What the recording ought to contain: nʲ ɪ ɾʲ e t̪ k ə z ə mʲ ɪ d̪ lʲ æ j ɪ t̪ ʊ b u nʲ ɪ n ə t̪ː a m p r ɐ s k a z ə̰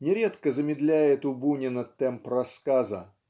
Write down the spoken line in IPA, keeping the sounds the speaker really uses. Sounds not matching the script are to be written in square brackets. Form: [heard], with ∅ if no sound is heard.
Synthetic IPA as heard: nʲ ɪ ɾʲ e t̪ k ə z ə mʲ ɪ d̪ lʲ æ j ɪ t̪ ʊ b u nʲ ɪ n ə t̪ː [ɛ] m p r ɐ s k a z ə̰